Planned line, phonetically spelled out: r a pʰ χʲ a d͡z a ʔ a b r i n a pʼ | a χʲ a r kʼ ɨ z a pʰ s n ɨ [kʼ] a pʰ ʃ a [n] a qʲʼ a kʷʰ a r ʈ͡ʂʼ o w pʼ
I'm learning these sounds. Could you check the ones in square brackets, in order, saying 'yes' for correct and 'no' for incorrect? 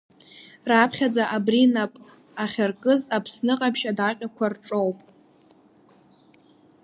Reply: no, no

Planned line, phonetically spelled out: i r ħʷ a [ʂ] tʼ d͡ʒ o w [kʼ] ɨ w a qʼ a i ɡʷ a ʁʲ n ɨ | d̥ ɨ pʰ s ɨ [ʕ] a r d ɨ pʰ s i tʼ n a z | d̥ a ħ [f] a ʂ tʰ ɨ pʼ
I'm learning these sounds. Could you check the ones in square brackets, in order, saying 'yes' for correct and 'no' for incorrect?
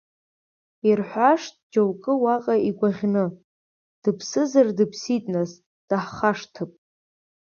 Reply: yes, yes, no, no

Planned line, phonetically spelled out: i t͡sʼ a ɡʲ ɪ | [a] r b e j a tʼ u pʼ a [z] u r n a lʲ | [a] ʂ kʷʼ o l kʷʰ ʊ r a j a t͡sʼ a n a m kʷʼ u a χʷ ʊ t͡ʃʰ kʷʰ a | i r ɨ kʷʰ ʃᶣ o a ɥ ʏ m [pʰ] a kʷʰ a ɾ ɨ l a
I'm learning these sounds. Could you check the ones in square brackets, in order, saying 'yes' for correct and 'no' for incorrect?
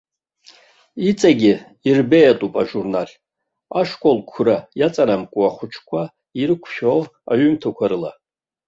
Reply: no, no, yes, no

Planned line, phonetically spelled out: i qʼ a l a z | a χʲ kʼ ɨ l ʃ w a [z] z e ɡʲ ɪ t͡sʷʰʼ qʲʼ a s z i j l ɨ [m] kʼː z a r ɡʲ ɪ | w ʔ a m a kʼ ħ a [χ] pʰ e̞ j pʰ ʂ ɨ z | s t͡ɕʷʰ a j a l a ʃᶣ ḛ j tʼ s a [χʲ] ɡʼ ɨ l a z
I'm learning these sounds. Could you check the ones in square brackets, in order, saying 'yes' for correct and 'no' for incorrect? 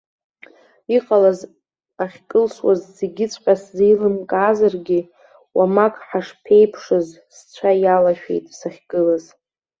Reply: yes, yes, no, yes

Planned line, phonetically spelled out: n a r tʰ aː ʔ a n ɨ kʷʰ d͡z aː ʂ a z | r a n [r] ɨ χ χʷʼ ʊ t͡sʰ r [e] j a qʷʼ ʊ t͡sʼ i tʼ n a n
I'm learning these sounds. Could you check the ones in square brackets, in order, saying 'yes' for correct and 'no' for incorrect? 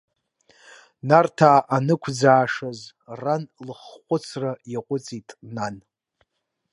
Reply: no, no

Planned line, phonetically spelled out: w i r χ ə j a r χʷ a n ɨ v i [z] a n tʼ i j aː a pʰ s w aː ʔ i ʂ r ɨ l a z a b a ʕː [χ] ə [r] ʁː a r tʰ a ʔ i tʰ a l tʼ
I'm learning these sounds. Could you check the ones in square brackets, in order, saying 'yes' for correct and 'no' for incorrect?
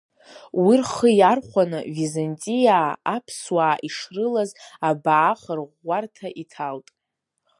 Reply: yes, yes, yes

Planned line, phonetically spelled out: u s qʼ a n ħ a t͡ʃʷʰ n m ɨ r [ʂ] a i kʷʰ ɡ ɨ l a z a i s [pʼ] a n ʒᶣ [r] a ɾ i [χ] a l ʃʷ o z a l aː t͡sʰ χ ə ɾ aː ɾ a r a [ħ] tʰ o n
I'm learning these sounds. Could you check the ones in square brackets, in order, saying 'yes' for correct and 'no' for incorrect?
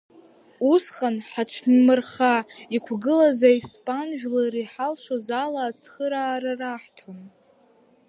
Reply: no, yes, no, no, yes

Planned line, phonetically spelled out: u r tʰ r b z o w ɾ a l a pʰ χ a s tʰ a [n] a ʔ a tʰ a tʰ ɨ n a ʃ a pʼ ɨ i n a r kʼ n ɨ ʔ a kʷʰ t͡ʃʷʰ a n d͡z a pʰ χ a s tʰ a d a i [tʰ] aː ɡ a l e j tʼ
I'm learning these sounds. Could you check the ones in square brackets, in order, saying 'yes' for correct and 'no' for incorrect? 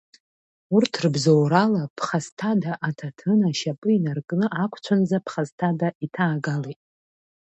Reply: no, yes

